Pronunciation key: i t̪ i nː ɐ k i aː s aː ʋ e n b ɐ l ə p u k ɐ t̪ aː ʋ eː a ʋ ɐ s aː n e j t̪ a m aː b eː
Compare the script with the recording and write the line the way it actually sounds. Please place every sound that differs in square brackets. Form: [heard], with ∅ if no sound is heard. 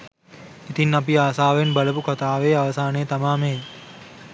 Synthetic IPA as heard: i t̪ i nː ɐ [p] i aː s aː ʋ e n b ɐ l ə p u k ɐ t̪ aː ʋ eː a ʋ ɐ s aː n e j t̪ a m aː [m] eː